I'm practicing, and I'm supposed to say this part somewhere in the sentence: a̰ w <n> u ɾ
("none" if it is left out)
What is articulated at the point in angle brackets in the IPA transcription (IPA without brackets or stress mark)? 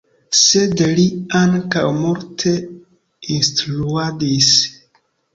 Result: m